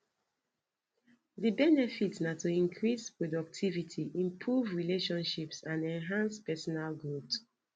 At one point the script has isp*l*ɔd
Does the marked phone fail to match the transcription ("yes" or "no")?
yes